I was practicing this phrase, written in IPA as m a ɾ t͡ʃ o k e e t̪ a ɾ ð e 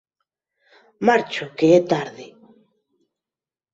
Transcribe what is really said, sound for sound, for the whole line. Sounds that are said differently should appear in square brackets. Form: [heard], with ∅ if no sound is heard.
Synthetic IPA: m a ɾ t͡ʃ o k e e t̪ a ɾ ð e